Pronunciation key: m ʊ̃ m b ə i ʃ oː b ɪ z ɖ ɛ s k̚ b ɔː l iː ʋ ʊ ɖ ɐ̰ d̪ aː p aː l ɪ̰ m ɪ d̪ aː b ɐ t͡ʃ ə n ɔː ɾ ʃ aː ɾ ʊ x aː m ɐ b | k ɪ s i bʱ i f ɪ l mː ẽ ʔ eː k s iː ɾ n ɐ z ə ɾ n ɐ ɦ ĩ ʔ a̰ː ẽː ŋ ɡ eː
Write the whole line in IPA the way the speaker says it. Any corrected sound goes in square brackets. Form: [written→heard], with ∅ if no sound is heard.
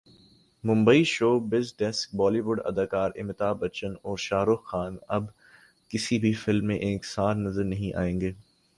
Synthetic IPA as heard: m ʊ̃ m b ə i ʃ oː b ɪ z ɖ ɛ s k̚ b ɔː l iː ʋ ʊ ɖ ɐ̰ d̪ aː [p→k] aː [l→ɾ] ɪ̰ m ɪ [d̪→t̪] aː b ɐ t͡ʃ ə n ɔː ɾ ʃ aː ɾ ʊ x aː [m→n] ɐ b | k ɪ s i bʱ i f ɪ l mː ẽ ʔ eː k s [iː→aː] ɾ n ɐ z ə ɾ n ɐ ɦ ĩ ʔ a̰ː ẽː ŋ ɡ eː